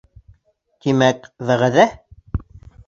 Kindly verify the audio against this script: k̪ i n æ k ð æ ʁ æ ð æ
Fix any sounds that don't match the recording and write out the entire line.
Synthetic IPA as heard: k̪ i m æ k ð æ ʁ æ ð æ